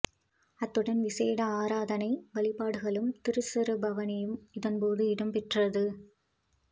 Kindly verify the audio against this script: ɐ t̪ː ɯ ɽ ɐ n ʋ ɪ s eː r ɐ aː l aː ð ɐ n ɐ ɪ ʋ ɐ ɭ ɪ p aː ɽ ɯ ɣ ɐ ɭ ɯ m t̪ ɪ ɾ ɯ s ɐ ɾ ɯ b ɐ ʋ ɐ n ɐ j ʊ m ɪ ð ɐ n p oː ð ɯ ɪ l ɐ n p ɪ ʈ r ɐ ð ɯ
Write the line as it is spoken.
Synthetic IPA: ɐ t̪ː ɯ ɽ ɐ n ʋ ɪ s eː ɽ ɐ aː ɾ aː ð ɐ n ɐ ɪ ʋ ɐ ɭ ɪ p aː ɽ ɯ ɣ ɐ ɭ ɯ m t̪ ɪ ɾ ɯ s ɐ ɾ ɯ b ɐ ʋ ɐ n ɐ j ɯ m ɪ ð ɐ n p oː ð ɯ ɪ ɽ ɐ m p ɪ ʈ r ɐ ð ɯ